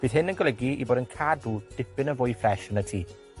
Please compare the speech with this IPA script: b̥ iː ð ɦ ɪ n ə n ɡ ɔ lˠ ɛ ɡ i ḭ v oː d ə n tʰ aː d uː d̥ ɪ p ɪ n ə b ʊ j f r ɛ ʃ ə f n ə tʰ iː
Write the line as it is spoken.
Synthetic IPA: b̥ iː ð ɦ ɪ n ə n ɡ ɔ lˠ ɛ ɡ i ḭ b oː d ə n kʰ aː d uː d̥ ɪ p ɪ n ə v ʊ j f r ɛ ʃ ə n ə tʰ iː